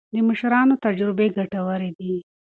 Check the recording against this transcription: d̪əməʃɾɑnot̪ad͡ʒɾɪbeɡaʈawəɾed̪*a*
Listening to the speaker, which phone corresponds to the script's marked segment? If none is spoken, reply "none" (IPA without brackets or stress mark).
i